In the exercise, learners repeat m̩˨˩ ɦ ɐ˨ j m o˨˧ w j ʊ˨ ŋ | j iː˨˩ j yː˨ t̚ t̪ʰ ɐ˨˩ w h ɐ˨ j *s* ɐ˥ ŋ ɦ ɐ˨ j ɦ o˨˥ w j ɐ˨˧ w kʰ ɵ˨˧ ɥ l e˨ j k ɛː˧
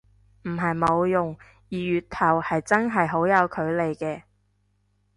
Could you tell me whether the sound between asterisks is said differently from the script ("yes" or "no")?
yes